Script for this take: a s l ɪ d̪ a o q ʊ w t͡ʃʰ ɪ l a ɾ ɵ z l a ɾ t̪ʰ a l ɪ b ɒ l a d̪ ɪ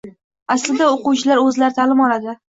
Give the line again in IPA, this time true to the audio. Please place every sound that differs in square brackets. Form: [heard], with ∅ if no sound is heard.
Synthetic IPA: a s l ɪ d̪ a o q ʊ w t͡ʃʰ ɪ l a ɾ ɵ z l a ɾ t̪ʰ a l ɪ [m] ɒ l a d̪ ɪ